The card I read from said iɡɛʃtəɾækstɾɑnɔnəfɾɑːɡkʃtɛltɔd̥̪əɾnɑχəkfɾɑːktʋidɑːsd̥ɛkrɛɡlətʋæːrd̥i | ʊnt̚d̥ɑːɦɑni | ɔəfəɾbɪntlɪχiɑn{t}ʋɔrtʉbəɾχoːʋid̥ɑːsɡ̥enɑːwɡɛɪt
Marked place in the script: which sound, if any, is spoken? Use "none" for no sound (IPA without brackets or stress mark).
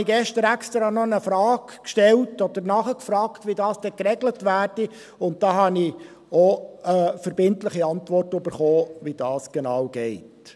t